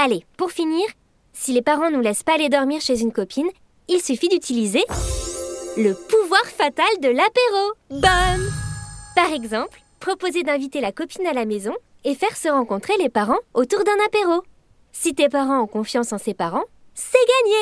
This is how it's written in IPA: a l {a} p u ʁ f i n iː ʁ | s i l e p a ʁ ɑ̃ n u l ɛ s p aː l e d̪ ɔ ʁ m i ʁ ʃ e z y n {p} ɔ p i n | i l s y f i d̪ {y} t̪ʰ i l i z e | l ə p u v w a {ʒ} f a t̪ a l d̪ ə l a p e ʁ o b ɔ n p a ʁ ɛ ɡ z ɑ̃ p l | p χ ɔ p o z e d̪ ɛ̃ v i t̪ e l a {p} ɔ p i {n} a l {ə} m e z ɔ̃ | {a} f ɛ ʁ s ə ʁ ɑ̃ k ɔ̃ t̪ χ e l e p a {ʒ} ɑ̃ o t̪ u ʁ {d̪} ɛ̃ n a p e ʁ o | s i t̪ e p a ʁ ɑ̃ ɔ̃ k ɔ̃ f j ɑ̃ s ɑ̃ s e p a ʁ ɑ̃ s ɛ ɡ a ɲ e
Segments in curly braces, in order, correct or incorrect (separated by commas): incorrect, incorrect, correct, incorrect, incorrect, correct, incorrect, incorrect, incorrect, correct